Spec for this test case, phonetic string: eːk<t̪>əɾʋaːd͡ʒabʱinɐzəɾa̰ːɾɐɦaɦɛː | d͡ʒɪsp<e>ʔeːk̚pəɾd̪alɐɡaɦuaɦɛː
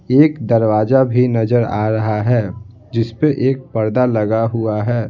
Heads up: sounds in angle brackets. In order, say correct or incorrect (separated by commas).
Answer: incorrect, correct